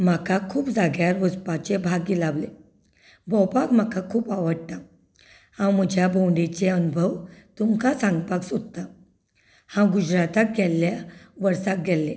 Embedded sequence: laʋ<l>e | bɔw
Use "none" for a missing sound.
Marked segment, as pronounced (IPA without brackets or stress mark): l